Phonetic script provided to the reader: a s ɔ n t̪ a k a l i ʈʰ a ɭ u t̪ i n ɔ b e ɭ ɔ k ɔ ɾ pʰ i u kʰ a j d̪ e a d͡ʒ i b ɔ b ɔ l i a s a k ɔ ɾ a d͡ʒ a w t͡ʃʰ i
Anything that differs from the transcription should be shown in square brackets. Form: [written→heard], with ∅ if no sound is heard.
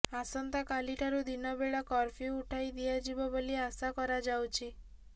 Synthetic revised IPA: a s ɔ n t̪ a k a l i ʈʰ a [ɭ→ɾ] u [t̪→d̪] i n ɔ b e ɭ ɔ k ɔ ɾ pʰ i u [kʰ→ʈʰ] a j d̪ [e→i] a d͡ʒ i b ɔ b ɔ l i a s a k ɔ ɾ a d͡ʒ a w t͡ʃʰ i